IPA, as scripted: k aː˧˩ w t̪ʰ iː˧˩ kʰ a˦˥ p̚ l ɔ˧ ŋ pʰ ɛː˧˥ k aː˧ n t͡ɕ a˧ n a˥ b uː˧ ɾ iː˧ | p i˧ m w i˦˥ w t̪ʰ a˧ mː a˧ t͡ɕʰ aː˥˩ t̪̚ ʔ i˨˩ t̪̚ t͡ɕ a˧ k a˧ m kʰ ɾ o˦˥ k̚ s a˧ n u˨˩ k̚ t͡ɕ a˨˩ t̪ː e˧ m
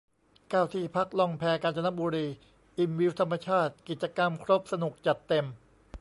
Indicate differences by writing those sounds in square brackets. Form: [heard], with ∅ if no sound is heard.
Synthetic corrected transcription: k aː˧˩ w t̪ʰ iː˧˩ [pʰ] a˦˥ [k̚] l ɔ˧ ŋ pʰ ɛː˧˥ k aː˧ n t͡ɕ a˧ n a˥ b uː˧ ɾ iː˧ | [ʔ] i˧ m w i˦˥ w t̪ʰ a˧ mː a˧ t͡ɕʰ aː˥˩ t̪̚ [k] i˨˩ t̪̚ t͡ɕ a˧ k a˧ m kʰ ɾ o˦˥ [p̚] s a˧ n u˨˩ k̚ t͡ɕ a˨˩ t̪ː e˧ m